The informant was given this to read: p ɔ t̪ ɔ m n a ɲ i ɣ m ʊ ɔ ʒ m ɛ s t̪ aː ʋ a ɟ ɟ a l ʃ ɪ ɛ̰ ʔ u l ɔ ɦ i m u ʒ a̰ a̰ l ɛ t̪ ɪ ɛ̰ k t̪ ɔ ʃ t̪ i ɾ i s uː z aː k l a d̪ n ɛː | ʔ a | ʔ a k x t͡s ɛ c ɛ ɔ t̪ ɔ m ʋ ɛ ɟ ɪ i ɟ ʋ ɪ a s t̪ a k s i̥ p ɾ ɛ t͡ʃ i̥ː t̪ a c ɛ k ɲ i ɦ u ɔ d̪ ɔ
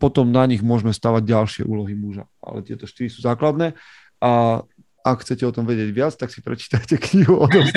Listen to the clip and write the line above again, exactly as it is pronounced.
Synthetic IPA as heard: p ɔ t̪ ɔ m n a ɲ i ɣ m ʊ ɔ ʒ m ɛ s t̪ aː ʋ a ɟ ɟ a l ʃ ɪ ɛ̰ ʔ uː l ɔ ɦ i m u ʒ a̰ a̰ l ɛ t̪ ɪ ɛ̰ t̪ ɔ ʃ t̪ i ɾ i s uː z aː k l a d̪ n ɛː | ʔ a | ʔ a k x t͡s ɛ c ɛ ɔ t̪ ɔ m ʋ ɛ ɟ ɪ ɛ ɟ ʋ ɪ a t͡s t̪ a k s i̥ p ɾ ɛ t͡ʃ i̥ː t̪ a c ɛ k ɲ i ɦ u ɔ d̪ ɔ